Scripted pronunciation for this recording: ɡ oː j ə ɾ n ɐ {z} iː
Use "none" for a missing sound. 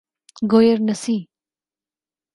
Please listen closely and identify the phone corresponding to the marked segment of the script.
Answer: s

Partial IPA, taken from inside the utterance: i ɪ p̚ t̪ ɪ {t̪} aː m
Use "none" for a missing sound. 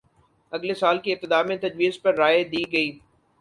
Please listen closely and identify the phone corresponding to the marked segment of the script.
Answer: d̪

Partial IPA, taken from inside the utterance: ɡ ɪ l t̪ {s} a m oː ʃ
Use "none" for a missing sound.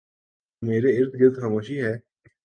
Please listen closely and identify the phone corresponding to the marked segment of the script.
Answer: x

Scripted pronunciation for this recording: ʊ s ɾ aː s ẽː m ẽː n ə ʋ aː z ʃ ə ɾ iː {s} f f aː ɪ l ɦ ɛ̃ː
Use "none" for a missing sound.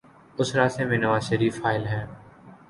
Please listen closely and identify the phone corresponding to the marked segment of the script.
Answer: none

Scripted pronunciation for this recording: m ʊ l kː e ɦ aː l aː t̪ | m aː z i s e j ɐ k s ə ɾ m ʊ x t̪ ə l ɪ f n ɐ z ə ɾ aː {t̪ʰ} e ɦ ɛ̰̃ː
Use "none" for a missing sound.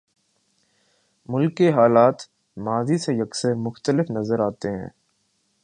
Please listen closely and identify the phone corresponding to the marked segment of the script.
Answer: t̪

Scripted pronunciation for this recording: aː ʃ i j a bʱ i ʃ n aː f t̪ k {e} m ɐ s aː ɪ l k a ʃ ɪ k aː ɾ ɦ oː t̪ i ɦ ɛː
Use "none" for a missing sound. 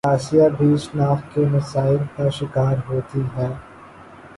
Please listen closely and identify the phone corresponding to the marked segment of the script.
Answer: e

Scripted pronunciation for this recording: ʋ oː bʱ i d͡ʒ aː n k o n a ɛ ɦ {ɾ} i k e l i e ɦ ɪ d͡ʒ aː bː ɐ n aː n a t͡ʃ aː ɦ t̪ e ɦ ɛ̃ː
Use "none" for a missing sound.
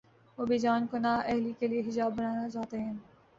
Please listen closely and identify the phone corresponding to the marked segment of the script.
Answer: l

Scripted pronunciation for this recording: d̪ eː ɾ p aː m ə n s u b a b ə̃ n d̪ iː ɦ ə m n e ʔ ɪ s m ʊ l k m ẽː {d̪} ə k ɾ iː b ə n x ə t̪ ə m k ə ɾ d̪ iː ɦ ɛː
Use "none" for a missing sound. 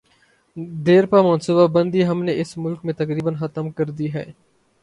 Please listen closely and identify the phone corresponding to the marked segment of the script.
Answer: t̪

